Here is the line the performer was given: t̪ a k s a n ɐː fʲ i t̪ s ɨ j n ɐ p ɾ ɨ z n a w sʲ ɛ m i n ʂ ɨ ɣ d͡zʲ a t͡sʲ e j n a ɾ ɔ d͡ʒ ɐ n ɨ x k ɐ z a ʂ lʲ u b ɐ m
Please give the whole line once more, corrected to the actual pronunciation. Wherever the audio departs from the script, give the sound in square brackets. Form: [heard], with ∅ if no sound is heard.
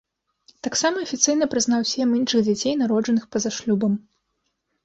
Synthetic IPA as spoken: t̪ a k s a [m] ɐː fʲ i t̪ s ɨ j n ɐ p ɾ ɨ z n a w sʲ ɛ m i n ʂ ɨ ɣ d͡zʲ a t͡sʲ e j n a ɾ ɔ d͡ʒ ɐ n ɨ x [p] ɐ z a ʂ lʲ u b ɐ m